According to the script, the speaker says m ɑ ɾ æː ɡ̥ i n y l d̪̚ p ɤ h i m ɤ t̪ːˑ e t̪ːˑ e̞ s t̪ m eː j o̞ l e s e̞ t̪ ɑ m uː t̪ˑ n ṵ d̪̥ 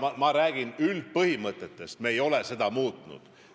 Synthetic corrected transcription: m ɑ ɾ æː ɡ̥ i n y l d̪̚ p ɤ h i m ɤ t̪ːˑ e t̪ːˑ e̞ s t̪ m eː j o̞ l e s e̞ d̪ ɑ m uː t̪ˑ n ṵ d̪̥